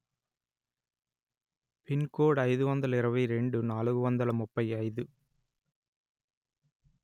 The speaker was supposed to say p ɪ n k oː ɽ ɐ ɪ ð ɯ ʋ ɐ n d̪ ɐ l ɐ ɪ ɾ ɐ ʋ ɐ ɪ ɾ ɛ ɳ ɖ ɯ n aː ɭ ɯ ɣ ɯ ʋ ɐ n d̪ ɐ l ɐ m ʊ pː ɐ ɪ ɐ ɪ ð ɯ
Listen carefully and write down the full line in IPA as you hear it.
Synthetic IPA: p ɪ n k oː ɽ ɐ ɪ ð ɯ ʋ ɐ n d̪ ɐ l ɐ ɪ ɾ ɐ ʋ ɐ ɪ ɾ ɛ ɳ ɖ ɯ n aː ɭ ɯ ɣ ɯ ʋ ɐ n d̪ ɐ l ɐ m ʊ pː ɐ ɪ ɐ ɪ ð ɯ